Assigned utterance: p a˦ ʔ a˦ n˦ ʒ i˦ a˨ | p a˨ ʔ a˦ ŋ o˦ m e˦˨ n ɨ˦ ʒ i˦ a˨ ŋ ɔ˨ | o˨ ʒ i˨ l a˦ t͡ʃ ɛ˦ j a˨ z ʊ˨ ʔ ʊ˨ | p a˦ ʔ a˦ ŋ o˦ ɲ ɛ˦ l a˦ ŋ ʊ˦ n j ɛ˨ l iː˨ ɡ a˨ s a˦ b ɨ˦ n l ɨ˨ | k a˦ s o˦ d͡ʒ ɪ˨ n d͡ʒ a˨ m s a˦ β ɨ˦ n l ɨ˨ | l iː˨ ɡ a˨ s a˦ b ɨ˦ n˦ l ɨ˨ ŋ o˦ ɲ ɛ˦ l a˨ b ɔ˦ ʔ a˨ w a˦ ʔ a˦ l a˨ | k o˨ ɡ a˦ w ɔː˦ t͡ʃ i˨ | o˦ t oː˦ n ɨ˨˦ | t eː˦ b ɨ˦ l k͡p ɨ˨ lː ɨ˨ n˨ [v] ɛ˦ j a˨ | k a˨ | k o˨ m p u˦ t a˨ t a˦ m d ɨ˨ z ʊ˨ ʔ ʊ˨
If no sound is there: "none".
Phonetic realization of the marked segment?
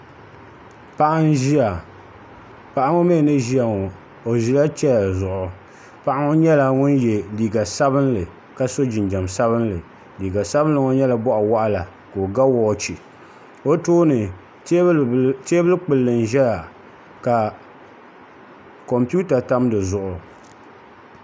ʒ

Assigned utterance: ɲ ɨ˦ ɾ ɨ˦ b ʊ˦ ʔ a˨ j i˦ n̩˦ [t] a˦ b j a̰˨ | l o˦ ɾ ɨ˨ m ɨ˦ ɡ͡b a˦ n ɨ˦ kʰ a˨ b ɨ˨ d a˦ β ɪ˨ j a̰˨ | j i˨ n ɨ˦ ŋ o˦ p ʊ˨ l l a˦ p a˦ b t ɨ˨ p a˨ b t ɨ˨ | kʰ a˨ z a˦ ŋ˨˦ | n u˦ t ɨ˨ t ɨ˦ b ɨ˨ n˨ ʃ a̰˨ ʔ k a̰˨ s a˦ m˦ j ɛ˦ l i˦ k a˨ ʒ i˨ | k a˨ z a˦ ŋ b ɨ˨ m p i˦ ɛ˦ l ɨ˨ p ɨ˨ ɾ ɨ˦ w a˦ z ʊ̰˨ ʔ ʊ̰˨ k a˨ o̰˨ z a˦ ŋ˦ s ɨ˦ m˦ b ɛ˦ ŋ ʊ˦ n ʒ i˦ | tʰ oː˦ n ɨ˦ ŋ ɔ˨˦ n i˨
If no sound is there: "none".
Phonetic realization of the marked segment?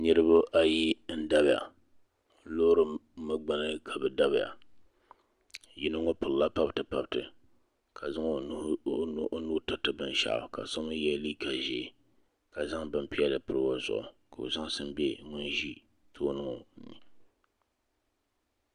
d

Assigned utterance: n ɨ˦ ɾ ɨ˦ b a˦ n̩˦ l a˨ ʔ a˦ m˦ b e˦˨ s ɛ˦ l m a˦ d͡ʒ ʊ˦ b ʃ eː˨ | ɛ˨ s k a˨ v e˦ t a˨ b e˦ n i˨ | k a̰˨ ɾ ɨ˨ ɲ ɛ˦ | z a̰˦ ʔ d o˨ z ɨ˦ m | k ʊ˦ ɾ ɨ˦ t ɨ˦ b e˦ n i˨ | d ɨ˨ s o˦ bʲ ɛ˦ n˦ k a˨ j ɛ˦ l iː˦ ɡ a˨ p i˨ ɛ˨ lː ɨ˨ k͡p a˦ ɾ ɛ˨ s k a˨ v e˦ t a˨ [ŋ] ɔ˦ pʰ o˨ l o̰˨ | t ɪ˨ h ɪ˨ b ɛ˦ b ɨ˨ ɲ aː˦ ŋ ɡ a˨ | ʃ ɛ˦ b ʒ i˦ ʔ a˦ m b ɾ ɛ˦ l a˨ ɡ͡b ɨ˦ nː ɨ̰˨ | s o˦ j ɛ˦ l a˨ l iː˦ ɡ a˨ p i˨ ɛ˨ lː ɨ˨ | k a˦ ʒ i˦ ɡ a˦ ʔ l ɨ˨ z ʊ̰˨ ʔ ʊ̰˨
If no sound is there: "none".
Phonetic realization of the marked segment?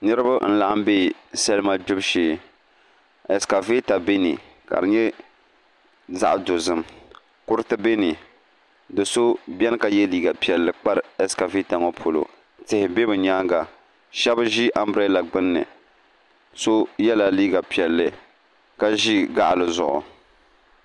ŋ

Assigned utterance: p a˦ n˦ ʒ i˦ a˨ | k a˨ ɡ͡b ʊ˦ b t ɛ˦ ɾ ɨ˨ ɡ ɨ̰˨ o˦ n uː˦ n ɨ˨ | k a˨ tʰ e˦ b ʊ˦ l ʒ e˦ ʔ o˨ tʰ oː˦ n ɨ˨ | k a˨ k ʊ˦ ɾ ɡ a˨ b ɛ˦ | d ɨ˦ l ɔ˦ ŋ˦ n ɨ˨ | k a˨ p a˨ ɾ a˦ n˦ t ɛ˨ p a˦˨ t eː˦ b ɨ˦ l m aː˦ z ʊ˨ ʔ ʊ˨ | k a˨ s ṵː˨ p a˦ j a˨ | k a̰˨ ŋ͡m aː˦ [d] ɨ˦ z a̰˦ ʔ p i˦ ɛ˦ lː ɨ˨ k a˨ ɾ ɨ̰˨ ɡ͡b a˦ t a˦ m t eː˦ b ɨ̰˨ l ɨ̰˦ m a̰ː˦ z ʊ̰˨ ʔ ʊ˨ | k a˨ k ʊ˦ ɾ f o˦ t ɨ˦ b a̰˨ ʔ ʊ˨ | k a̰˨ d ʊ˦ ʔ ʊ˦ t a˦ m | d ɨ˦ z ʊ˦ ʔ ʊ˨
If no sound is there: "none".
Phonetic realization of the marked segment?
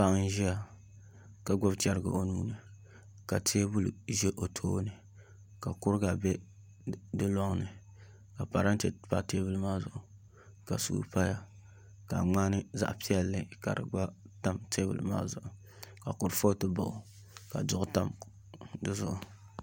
n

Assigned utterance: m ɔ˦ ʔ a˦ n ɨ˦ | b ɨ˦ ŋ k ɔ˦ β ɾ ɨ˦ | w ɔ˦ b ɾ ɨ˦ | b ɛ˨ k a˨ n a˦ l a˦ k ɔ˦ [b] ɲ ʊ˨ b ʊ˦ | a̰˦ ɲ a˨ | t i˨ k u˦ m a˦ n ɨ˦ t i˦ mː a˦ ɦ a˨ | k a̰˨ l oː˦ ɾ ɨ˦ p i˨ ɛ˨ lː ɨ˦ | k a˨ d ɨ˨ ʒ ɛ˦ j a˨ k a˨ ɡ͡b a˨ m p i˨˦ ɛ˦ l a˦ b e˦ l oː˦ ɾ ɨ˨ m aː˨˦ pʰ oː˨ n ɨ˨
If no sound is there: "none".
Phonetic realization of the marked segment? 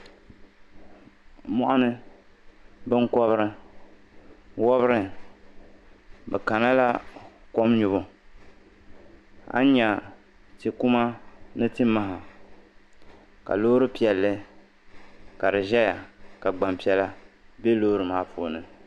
m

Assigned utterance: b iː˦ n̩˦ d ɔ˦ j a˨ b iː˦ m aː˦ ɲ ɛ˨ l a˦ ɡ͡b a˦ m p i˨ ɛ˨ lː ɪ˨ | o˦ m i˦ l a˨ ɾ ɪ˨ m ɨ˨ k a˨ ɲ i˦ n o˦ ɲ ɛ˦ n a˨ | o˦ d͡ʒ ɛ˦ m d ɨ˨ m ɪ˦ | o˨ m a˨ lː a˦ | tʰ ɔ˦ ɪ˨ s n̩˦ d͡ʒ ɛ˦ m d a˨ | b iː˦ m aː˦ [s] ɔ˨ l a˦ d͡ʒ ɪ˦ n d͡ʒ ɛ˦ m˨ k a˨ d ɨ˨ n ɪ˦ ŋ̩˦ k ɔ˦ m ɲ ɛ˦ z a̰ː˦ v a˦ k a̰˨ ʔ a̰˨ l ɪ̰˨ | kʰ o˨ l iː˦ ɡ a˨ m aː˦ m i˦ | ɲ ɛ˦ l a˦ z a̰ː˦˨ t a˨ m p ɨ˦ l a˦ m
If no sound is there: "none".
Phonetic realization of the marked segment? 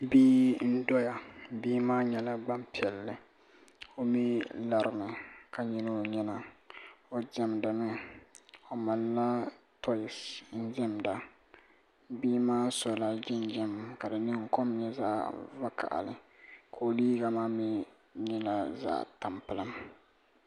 s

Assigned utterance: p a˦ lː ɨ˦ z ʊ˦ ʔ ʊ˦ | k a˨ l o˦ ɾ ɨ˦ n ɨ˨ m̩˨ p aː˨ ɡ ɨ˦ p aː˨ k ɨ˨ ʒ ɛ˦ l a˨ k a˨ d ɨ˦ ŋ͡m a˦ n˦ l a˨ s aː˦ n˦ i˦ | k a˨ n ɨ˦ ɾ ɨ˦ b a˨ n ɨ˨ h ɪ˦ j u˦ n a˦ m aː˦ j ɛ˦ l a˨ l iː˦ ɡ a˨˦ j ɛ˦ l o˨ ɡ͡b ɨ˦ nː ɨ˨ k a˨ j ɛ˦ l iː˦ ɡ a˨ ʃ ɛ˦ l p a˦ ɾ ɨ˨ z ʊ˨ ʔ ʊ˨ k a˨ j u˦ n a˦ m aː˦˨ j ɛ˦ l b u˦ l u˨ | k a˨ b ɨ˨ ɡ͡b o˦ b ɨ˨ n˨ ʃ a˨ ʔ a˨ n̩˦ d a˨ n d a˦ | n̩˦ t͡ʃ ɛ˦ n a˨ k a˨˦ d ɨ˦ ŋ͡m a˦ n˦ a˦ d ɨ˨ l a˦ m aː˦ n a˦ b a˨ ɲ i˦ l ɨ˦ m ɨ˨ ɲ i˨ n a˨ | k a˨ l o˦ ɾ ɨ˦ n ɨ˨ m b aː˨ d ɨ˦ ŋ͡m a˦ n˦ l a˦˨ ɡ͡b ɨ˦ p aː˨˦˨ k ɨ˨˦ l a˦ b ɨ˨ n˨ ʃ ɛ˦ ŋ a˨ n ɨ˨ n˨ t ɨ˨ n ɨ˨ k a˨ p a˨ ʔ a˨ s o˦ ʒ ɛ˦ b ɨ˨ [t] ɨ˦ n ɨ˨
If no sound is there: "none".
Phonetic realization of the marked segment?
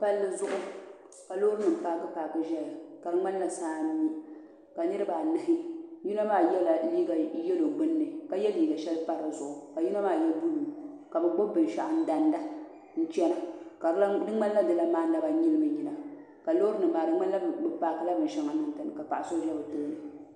t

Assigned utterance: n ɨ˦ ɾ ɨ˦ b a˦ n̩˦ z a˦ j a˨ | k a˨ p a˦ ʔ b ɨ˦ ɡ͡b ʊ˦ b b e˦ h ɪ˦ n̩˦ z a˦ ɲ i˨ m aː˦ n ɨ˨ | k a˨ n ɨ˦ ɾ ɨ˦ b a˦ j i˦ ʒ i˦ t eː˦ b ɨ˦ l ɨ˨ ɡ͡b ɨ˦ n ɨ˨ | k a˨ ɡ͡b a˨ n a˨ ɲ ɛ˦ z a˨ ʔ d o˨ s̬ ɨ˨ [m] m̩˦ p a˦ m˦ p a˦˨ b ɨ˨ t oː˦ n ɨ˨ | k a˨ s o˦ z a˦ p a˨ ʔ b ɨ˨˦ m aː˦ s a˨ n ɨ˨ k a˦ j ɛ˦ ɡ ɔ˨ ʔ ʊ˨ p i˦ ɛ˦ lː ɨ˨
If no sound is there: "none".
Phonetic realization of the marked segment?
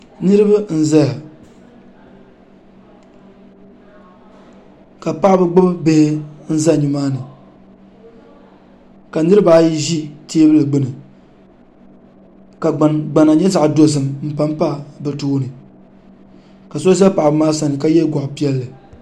m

